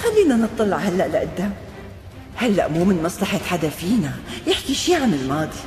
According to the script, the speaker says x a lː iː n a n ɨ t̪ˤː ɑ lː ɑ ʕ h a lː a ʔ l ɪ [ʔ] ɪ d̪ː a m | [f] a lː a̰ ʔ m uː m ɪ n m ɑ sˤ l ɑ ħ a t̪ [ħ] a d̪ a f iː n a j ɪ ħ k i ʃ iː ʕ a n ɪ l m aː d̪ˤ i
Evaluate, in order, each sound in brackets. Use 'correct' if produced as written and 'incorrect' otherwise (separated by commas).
correct, incorrect, correct